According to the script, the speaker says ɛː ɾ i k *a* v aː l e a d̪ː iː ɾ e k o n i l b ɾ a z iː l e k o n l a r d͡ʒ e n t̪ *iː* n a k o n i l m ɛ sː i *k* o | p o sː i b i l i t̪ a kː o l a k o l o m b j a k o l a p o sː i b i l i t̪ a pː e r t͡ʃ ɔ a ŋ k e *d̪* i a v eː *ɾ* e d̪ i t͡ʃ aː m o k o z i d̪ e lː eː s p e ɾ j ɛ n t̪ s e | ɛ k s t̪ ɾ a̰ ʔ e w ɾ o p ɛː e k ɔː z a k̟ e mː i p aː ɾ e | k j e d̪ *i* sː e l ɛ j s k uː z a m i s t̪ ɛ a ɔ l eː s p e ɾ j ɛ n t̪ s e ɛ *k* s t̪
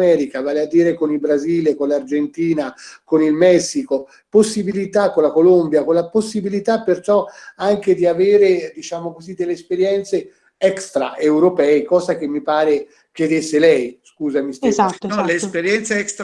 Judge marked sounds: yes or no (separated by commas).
yes, yes, yes, yes, yes, no, yes